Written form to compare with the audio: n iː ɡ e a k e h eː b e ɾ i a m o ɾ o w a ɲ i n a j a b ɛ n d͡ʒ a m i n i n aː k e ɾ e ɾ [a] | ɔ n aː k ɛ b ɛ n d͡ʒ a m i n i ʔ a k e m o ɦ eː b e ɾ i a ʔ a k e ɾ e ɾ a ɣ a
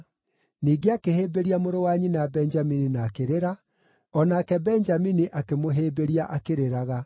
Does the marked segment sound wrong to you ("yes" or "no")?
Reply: no